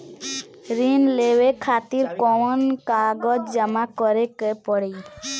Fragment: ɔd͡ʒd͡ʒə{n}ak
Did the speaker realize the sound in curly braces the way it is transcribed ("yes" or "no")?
no